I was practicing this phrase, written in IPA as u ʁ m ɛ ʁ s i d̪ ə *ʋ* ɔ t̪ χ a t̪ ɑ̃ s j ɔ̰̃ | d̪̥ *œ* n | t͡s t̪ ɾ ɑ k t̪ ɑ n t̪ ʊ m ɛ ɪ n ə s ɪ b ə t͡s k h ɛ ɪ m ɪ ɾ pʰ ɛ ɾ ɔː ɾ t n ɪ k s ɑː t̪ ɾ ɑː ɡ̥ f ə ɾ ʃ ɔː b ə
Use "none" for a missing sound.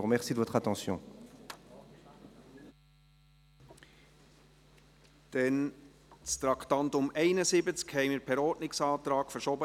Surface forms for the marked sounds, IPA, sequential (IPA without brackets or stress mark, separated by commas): v, ɛ